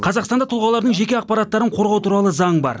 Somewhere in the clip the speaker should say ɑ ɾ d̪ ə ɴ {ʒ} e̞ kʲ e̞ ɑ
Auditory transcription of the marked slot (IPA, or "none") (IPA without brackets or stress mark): ʒ